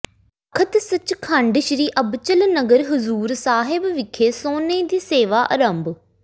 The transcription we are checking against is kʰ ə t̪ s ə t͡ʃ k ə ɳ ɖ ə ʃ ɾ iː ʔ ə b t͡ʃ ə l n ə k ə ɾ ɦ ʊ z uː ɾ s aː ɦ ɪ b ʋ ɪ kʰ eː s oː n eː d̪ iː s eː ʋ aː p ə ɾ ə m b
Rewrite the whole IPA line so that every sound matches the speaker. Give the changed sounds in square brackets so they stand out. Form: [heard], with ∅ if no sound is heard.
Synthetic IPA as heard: kʰ ə t̪ s ə t͡ʃ [kʰ] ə ɳ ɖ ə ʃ ɾ iː ʔ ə b t͡ʃ ə l n ə [ɡ] ə ɾ ɦ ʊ z uː ɾ s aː ɦ ɪ b ʋ ɪ kʰ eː s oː n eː d̪ iː s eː ʋ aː [ʔ] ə ɾ ə m b